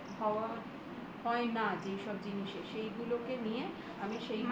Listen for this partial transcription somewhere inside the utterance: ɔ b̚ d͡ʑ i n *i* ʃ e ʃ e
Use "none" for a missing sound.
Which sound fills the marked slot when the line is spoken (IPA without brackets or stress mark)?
i